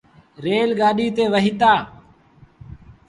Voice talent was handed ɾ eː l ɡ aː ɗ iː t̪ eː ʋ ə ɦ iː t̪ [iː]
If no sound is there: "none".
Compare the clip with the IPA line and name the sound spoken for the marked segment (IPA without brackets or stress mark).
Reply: aː